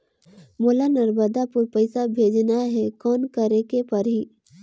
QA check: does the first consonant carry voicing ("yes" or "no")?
yes